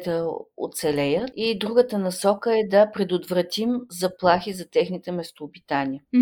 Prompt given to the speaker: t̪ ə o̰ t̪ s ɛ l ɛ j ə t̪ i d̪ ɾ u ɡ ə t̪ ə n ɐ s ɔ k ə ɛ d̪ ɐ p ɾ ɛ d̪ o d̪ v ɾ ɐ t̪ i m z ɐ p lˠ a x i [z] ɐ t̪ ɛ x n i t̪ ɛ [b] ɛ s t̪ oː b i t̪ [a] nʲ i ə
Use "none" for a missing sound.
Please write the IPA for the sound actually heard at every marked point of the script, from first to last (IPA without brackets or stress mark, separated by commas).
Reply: z, m, a